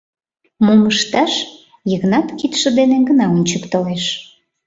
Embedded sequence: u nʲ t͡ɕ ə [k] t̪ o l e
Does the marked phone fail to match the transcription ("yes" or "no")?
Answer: no